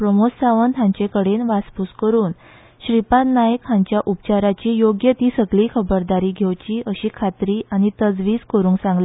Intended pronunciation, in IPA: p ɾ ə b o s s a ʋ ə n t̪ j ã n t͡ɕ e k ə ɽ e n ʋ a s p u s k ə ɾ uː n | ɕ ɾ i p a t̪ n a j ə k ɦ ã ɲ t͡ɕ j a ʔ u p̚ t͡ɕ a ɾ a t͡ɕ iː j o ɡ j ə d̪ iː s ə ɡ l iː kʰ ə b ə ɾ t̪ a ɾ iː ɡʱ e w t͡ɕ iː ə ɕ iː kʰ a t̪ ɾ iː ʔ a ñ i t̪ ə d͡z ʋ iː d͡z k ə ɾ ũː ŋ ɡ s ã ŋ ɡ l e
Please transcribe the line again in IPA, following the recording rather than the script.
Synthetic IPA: p ɾ ə m o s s a ʋ ə n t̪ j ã ɲ t͡ɕ e k ə ɽ e n ʋ a s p u s k ə ɾ uː n | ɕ ɾ i p a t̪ n a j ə k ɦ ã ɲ t͡ɕ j a ʔ u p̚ t͡ɕ a ɾ a t͡ɕ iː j o ɡ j ə t̪ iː s ə ɡ l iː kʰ ə b ə ɾ d̪ a ɾ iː ɡʱ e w t͡ɕ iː ə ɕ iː kʰ a t̪ ɾ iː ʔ a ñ i t̪ ə d͡z ʋ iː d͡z k ə ɾ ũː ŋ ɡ s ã ŋ ɡ l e

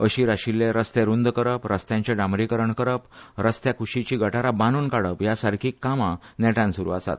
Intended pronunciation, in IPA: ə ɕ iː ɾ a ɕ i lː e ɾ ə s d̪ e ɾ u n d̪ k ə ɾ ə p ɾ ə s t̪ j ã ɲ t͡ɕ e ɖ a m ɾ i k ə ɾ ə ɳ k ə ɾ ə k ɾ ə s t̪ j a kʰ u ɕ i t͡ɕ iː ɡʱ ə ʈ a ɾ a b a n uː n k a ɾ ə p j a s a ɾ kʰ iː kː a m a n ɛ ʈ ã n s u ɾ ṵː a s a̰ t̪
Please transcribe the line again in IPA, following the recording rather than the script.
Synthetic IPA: ə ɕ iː ɾ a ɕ i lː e ɾ ə s t̪ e ɾ u n d̪ k ə ɾ ə p ɾ ə s t̪ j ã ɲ t͡ɕ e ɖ a m ɾ i k ə ɾ ə ɳ k ə ɾ ə p ɾ ə s t̪ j a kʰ u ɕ i t͡ɕ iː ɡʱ ə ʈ a ɾ a b a n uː n k a ɽ ə p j a s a ɾ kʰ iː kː a m a n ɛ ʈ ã n s u ɾ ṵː a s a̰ t̪

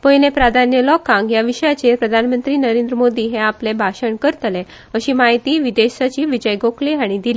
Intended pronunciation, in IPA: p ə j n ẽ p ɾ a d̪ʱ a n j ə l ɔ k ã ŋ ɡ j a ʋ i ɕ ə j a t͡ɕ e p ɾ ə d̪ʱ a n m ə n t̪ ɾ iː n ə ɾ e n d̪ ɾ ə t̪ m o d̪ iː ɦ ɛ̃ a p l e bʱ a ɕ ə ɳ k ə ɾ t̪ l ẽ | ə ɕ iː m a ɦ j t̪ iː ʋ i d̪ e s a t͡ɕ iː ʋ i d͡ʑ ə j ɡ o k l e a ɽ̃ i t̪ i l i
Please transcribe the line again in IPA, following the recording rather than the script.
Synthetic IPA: p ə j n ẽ p ɾ a d̪ʱ a n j ə l ɔ k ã ŋ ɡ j a ʋ i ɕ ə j a t͡ɕ e p ɾ ə d̪ʱ a n m ə n t̪ ɾ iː n ə ɾ e n d̪ ɾ ə m o d̪ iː ɦ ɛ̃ a p l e bʱ a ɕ ə ɳ k ə ɾ t̪ l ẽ | ə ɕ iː m a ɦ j t̪ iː ʋ i d̪ e s a t͡ɕ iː ʋ i d͡ʑ ə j ɡ o k l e a ɽ̃ i d̪ i l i

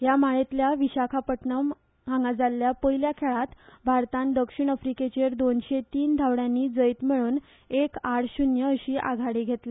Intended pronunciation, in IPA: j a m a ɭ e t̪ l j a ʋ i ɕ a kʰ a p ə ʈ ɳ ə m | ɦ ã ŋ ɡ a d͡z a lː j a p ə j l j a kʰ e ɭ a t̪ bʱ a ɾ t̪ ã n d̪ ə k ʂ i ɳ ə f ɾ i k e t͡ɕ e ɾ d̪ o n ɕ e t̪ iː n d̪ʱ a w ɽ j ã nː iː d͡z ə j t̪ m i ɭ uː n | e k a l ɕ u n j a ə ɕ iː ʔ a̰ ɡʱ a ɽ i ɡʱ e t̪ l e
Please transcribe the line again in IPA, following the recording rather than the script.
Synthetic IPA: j a m a ɭ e t̪ l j a ʋ i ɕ a kʰ a p ə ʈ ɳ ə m | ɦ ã ŋ ɡ a d͡z a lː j a p ə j l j a kʰ e ɭ a t̪ bʱ a ɾ t̪ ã n d̪ ə k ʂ i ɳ ə f ɾ i k e t͡ɕ e ɾ d̪ o n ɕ e t̪ iː n d̪ʱ a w ɽ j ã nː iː d͡z ə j t̪ m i ɭ uː n | e k a ɽ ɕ u n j ə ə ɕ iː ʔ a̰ ɡʱ a ɽ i ɡʱ e t̪ l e

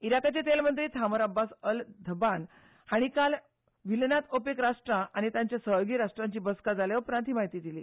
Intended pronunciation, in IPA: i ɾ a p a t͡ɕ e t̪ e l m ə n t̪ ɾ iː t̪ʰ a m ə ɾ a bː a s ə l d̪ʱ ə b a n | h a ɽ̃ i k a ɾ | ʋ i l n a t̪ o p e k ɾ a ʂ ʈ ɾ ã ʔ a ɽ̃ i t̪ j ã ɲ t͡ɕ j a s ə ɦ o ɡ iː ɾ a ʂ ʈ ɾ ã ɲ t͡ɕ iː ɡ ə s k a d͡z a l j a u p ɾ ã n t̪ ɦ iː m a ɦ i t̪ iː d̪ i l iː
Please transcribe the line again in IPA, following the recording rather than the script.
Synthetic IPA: i ɾ a k a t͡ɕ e t̪ e l m ə n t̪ ɾ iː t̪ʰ a m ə ɾ a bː a s ə l d̪ʱ ə b a n | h a ɽ̃ i k a l | ʋ i l n a t̪ o p e k ɾ a ʂ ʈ ɾ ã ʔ a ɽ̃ i t̪ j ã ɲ t͡ɕ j a s ə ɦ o ɡ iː ɾ a ʂ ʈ ɾ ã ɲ t͡ɕ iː b ə s k a d͡z a l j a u p ɾ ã n t̪ ɦ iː m a ɦ i t̪ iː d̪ i l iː

